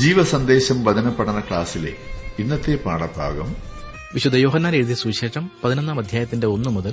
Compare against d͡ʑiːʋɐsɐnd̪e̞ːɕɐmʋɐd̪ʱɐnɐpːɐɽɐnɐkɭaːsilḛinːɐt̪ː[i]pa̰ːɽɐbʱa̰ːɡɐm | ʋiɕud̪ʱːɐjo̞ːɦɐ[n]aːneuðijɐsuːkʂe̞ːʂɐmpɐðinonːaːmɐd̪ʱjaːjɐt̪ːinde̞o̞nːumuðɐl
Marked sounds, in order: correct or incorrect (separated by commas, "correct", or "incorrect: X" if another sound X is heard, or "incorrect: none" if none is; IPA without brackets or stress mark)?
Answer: incorrect: e, incorrect: nː